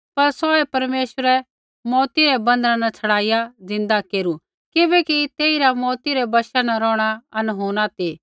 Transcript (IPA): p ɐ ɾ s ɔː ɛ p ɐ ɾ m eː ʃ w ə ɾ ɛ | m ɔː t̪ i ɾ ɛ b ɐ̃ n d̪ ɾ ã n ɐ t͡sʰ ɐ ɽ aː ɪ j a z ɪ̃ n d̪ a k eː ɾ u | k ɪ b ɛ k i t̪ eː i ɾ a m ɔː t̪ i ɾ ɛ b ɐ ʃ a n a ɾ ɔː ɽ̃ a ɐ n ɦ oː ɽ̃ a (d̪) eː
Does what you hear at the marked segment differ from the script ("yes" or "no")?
yes